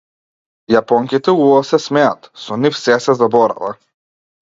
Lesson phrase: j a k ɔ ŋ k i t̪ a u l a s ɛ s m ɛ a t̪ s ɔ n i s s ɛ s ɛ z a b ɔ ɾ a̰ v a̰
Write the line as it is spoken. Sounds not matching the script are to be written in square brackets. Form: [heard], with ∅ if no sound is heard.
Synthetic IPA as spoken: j a [p] ɔ ŋ k i t̪ [ɛ] u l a s ɛ s m ɛ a t̪ s ɔ n i [f] s ɛ s ɛ z a b ɔ ɾ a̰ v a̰